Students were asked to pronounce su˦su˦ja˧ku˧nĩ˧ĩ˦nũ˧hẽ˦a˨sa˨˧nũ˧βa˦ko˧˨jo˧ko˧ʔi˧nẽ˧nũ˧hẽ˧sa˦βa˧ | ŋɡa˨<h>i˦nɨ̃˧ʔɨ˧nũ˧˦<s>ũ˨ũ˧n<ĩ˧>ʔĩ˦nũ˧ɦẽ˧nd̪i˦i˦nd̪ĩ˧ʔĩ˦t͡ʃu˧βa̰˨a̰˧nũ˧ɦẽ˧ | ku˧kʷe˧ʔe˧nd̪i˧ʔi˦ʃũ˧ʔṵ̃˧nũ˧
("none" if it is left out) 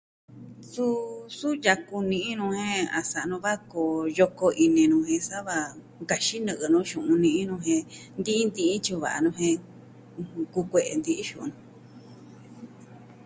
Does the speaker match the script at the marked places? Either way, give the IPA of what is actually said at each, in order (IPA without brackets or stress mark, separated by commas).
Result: ʃ, ʃ, ĩ˧